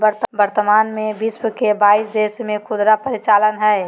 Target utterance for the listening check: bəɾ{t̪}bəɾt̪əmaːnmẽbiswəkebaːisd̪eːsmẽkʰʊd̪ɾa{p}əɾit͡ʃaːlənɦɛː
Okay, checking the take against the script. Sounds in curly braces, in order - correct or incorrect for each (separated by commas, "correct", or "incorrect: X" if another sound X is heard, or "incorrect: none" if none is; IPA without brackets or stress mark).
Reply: correct, correct